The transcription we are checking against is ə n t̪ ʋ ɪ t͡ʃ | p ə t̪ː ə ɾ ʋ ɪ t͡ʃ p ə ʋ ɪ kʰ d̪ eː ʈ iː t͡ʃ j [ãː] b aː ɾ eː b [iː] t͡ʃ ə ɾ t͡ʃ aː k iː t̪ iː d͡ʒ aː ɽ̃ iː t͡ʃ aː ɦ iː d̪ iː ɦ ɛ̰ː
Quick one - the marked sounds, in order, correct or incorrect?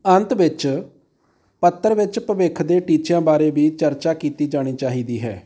correct, correct

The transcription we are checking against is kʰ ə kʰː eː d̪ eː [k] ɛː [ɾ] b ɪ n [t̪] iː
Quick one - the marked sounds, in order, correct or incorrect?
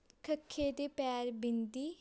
incorrect: p, correct, incorrect: d̪

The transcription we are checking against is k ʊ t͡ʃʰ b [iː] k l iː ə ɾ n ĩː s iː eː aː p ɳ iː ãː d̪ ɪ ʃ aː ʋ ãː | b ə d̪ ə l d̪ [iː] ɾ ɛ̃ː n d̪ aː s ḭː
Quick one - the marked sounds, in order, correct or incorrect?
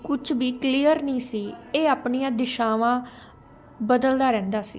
correct, incorrect: aː

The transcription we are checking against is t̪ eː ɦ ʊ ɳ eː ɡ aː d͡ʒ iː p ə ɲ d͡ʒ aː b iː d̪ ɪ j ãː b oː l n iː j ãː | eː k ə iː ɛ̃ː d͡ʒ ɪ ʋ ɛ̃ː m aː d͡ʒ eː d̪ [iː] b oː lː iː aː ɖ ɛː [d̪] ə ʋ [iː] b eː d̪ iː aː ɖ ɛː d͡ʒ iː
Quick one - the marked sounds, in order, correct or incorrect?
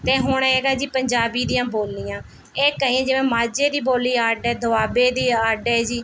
correct, correct, incorrect: aː

